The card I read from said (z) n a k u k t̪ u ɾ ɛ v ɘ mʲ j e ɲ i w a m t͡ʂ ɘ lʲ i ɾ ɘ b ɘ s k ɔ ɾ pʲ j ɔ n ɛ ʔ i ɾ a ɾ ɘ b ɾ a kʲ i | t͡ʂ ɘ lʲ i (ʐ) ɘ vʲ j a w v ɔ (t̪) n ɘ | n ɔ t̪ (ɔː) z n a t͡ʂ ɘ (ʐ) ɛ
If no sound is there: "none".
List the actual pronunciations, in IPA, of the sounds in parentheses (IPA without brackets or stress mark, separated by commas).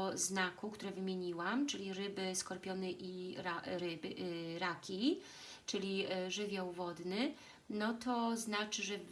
z, ʐ, d̪, ɔ, ʐ